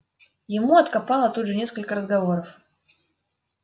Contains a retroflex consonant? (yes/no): yes